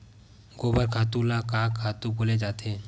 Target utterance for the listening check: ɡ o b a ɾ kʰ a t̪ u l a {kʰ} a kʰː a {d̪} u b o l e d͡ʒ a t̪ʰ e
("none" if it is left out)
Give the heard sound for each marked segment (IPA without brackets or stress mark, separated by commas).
k, t̪